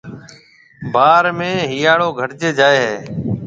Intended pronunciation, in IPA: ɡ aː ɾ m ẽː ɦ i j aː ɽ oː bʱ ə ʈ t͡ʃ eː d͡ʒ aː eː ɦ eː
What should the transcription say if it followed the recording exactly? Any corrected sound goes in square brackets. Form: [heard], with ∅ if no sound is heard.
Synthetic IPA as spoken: [b] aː ɾ m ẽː ɦ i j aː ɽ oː [ɡʱ] ə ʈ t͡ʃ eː d͡ʒ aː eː ɦ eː

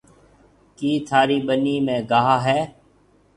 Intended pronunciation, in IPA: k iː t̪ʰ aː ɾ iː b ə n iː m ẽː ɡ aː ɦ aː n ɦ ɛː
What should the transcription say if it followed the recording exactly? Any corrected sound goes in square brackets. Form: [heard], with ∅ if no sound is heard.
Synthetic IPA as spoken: k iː t̪ʰ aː ɾ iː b ə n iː m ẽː ɡ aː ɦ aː [∅] ɦ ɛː

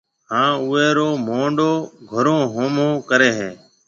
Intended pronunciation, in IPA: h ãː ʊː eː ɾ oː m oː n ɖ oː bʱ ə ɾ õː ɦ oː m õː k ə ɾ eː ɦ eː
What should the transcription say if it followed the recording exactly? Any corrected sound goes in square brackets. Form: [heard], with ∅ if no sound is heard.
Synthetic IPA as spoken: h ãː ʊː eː ɾ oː m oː [ɳ] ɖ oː [ɡʱ] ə ɾ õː ɦ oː m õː k ə ɾ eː ɦ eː

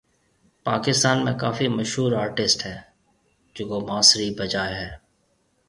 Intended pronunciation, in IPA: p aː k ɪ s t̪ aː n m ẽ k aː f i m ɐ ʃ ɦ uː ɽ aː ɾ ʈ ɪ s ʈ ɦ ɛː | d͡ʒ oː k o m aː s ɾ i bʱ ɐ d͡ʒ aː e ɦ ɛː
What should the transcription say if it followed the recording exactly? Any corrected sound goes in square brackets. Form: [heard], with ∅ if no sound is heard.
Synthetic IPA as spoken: p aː k ɪ s t̪ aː n m ẽ k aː f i m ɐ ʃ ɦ uː [ɾ] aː ɾ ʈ ɪ s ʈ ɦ ɛː | d͡ʒ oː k o m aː s ɾ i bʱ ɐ d͡ʒ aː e ɦ ɛː

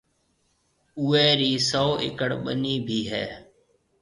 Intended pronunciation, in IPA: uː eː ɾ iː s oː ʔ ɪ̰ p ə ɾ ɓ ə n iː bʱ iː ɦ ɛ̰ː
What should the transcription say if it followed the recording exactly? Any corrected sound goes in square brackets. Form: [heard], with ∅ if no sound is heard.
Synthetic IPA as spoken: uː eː ɾ iː s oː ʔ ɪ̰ [k] ə [ɽ] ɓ ə n iː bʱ iː ɦ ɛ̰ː

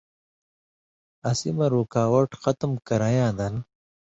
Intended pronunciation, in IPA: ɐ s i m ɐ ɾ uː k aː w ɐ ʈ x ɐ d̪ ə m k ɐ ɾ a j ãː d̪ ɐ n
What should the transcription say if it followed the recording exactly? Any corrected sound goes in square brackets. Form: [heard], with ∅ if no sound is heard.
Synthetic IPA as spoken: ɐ s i m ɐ ɾ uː k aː w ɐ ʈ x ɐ [t̪] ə m k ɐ ɾ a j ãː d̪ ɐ n

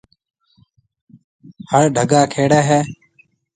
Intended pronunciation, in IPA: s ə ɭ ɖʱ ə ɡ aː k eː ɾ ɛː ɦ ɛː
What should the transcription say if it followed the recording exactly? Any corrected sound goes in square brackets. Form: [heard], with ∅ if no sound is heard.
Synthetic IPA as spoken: [h] ə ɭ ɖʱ ə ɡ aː [kʰ] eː [ɽ] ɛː ɦ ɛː

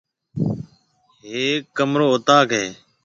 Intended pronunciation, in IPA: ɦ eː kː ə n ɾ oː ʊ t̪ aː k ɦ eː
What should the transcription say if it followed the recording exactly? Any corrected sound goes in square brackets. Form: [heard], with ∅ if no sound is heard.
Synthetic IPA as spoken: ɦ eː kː ə [m] ɾ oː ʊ t̪ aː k ɦ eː

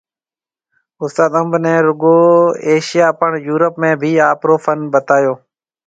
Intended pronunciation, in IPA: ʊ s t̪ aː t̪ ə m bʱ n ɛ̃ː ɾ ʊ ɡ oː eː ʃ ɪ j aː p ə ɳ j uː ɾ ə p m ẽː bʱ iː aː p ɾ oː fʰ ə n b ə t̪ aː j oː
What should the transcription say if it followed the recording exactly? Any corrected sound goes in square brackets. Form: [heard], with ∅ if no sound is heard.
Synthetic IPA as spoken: ʊ s t̪ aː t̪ ə m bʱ n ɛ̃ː ɾ ʊ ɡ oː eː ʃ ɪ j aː p ə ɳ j uː ɾ ə p m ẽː bʱ iː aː p ɾ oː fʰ ə n b ə t̪ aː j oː

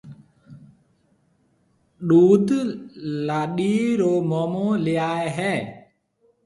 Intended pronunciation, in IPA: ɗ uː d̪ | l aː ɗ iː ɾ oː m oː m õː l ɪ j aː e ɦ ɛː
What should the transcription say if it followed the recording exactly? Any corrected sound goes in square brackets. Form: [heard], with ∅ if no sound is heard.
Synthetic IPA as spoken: ɗ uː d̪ | l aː ɗ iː ɾ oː m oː m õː l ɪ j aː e ɦ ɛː

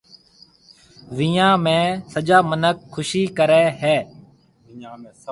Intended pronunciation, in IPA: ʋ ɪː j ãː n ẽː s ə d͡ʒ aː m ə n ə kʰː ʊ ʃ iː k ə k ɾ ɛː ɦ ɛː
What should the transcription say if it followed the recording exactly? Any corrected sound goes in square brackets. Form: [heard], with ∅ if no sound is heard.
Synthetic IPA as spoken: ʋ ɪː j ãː [m] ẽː s ə d͡ʒ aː m ə n ə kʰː ʊ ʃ iː k ə [∅] ɾ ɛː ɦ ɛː

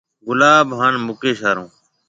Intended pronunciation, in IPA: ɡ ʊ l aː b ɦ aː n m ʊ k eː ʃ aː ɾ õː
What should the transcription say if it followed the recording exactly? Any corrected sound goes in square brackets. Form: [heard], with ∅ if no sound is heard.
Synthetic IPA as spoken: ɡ ʊ l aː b ɦ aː n m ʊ k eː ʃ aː ɾ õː

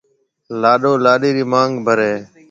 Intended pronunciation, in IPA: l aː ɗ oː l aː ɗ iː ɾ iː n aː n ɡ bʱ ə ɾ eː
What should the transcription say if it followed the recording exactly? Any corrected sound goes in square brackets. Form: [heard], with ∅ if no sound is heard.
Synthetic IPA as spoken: l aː ɗ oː l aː ɗ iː ɾ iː [m] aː [ŋ] ɡ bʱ ə ɾ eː

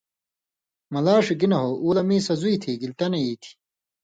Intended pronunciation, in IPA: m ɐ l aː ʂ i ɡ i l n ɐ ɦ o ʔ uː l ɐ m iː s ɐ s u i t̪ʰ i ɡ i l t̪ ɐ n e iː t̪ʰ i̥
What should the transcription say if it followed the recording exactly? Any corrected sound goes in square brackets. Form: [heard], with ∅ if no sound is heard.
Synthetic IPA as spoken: m ɐ l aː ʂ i ɡ i [∅] n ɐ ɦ o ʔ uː l ɐ m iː s ɐ [z] u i t̪ʰ i ɡ i l t̪ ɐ n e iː t̪ʰ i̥

